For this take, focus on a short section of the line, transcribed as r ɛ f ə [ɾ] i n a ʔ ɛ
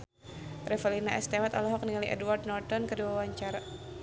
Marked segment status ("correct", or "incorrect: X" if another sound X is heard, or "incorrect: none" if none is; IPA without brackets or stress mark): incorrect: l